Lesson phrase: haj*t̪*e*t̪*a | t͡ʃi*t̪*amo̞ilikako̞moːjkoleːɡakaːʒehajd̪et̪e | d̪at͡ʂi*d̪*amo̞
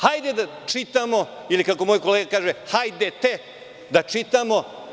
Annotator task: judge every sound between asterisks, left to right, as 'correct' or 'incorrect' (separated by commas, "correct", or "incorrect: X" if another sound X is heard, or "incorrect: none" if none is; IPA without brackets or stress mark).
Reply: incorrect: d̪, incorrect: d̪, correct, incorrect: t̪